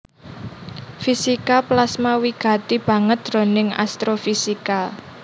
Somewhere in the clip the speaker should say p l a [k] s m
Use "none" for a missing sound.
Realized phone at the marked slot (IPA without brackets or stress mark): none